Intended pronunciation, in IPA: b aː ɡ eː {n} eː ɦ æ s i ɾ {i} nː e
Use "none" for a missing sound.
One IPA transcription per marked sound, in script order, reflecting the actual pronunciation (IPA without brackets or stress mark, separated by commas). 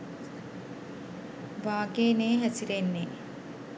n, e